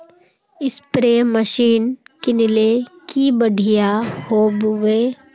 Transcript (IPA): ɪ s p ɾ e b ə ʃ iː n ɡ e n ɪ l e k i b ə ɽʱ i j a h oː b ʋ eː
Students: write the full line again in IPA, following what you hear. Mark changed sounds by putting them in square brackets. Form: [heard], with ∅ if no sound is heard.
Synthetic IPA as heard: ɪ s p ɾ e [m] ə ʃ iː n [k] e n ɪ l e k i b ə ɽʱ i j a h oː b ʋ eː